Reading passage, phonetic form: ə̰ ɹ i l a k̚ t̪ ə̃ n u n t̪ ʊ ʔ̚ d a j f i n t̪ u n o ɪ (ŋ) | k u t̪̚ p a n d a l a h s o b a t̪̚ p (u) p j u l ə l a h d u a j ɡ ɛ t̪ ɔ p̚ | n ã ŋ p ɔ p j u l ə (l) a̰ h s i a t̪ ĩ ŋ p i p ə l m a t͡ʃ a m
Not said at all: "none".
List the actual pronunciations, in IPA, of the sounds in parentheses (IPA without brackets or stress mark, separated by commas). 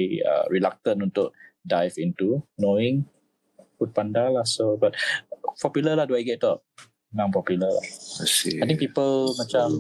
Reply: ŋ, ɔ, l